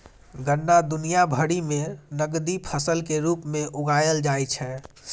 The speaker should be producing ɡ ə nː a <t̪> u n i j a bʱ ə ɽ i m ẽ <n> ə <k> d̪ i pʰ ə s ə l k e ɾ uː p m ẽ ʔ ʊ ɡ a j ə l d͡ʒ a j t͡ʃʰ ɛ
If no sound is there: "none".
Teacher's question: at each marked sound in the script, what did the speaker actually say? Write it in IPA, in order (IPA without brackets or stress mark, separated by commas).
d̪, n, ɡ